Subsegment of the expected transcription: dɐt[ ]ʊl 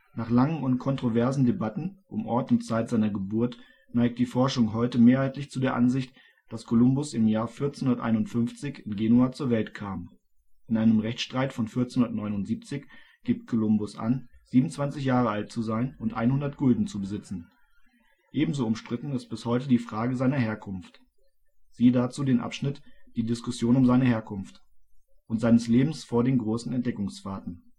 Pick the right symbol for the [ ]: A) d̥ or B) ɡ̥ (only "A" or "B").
B